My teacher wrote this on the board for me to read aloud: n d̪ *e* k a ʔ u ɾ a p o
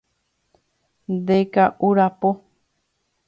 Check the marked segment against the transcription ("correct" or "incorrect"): correct